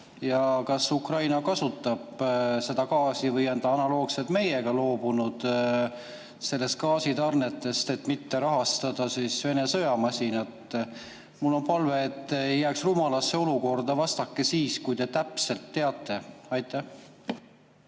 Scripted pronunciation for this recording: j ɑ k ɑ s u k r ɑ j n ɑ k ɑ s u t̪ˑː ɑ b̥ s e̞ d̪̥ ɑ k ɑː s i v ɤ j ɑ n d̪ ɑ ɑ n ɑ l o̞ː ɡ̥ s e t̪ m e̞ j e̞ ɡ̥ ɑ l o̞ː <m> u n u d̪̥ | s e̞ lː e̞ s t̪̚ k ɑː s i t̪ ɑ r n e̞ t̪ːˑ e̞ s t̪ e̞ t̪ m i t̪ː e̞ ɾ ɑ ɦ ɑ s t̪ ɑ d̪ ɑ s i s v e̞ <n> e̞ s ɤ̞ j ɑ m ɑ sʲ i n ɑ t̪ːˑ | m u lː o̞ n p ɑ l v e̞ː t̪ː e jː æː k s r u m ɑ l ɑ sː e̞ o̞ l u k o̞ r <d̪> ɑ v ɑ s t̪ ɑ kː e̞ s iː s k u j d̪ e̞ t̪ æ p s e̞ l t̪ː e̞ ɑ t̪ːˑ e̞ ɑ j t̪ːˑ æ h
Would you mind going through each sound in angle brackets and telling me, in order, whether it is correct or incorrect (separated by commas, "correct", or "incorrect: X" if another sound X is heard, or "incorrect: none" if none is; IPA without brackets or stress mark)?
incorrect: b, correct, correct